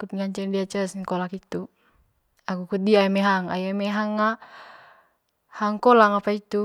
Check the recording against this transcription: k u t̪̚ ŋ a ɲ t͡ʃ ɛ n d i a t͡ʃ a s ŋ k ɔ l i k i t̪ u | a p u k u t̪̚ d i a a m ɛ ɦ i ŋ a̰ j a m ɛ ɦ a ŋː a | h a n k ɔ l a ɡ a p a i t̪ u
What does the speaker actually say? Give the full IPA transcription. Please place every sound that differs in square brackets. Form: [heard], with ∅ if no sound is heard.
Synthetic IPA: k u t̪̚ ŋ a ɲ t͡ʃ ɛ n d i a t͡ʃ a s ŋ k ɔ l [a] k i t̪ u | a [k] u k u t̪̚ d i a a m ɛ ɦ [a] ŋ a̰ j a m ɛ ɦ a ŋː a | h a [ŋ] k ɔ l a [ŋ] a p a i t̪ u